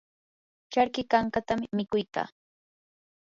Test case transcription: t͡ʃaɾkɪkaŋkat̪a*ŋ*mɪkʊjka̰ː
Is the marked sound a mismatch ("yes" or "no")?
yes